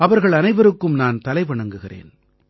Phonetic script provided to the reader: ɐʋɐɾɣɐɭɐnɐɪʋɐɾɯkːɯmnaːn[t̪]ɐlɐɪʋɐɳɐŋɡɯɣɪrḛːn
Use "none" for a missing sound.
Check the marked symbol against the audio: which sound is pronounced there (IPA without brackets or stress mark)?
t̪